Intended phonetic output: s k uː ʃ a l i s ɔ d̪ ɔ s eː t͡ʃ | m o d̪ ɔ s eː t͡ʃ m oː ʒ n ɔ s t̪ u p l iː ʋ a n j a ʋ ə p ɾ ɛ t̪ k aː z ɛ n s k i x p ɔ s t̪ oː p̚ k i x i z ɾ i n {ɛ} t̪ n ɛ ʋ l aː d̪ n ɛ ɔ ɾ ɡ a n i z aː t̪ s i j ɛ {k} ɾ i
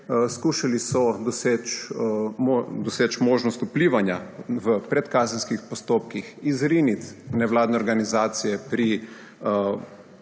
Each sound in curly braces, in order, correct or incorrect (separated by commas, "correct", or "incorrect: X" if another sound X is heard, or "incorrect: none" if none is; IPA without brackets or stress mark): incorrect: i, incorrect: p